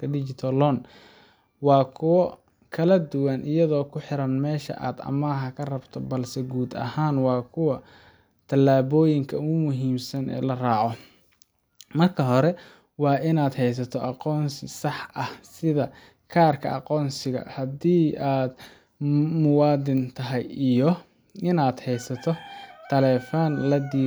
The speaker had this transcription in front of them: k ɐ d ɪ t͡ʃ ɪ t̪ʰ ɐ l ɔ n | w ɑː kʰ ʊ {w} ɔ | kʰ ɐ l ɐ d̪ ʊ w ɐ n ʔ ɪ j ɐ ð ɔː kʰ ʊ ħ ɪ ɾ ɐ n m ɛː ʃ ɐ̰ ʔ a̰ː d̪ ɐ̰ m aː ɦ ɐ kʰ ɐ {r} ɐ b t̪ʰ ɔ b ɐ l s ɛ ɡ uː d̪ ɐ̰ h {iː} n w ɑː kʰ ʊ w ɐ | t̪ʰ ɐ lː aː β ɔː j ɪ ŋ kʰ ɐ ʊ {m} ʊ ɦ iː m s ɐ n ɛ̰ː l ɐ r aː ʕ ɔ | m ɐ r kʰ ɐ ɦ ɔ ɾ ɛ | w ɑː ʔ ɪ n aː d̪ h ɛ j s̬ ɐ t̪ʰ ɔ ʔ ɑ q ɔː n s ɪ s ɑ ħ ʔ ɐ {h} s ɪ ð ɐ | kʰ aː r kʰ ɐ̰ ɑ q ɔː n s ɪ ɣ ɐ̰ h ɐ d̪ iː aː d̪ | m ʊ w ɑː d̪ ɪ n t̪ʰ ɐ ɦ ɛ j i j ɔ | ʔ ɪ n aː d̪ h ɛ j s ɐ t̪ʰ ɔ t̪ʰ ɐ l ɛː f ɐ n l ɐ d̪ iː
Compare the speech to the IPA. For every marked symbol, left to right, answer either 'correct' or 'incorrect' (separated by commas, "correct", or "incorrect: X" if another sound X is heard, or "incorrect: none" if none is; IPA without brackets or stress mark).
correct, correct, incorrect: aː, correct, correct